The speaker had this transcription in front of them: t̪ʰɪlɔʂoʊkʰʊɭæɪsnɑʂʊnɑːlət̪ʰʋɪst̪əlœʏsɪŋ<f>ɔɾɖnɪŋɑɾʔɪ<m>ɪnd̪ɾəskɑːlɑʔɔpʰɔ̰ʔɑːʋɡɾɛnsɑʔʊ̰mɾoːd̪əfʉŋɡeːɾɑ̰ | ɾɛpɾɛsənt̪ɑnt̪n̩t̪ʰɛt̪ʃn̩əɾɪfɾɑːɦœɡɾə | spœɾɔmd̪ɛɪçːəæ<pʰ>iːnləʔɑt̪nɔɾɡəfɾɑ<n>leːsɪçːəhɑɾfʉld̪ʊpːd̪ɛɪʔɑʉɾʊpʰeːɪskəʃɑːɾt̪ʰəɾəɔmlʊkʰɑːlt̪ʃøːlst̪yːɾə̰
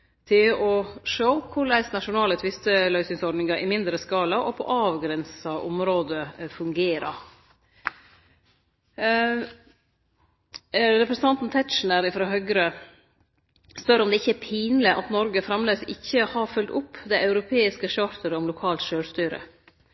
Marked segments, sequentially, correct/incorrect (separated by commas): incorrect, correct, correct, incorrect